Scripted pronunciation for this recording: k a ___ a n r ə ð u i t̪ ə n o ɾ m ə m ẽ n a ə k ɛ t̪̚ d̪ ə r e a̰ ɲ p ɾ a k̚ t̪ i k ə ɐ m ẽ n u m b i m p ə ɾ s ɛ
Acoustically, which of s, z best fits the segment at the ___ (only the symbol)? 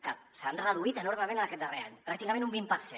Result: s